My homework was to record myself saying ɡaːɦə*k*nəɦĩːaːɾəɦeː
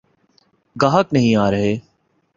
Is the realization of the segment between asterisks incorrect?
no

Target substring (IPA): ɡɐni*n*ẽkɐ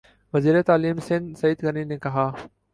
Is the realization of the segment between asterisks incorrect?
no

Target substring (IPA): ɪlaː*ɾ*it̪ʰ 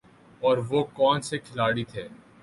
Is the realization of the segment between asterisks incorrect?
yes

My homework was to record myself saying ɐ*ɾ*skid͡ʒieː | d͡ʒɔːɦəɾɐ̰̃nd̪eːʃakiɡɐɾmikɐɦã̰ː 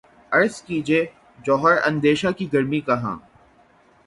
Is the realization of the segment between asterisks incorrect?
no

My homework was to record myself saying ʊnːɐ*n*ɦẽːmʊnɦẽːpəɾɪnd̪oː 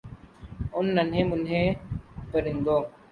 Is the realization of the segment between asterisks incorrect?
no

